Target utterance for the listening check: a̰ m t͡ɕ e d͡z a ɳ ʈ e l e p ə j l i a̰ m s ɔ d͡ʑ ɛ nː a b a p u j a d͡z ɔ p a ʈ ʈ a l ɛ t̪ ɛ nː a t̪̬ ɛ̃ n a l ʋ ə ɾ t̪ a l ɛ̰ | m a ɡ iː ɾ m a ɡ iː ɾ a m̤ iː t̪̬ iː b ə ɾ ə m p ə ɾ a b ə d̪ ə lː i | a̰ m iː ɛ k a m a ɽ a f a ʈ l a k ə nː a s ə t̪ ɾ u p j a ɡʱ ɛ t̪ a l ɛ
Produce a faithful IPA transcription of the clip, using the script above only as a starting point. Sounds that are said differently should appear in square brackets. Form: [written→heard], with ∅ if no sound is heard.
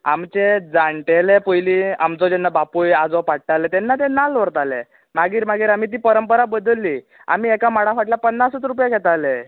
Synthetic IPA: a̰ m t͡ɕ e d͡z a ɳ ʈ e l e p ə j l i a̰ m [s→t͡s] ɔ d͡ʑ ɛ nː a b a p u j a d͡z ɔ p a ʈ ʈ a l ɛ t̪ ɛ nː a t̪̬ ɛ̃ n a l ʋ ə ɾ t̪ a l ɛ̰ | m a ɡ iː ɾ m a ɡ iː ɾ a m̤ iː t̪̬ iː [b→p] ə ɾ ə m p ə ɾ a b ə d̪ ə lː i | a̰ m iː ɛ k a m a ɽ a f a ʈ l a [k→p] ə nː a s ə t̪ ɾ u p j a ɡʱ ɛ t̪ a l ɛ